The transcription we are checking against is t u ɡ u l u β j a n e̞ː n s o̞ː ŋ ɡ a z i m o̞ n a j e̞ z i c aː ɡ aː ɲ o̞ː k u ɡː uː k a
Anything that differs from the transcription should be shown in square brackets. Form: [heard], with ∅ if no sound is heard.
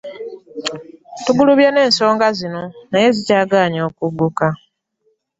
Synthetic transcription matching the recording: t u ɡ u l u β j a n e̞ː n s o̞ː ŋ ɡ a z i [n] o̞ n a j e̞ z i c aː ɡ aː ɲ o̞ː k u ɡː [u] k a